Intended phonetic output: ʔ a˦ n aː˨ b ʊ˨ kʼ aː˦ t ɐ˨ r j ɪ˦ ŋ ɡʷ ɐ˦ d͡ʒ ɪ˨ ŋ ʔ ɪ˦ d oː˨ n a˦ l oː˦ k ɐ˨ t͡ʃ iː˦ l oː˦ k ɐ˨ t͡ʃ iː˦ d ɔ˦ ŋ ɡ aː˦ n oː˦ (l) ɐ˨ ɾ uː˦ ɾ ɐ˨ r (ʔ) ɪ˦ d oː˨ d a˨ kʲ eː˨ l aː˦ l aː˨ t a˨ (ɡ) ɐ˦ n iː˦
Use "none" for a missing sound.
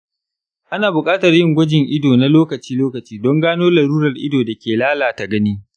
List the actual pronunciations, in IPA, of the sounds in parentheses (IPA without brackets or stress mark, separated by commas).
l, ʔ, ɡ